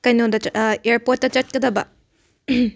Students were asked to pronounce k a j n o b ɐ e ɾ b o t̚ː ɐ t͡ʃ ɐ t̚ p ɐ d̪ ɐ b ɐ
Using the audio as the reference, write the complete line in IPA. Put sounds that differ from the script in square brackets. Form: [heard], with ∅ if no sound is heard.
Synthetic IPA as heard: k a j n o [d] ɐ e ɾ [p] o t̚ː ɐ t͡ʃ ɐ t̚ [k] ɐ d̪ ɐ b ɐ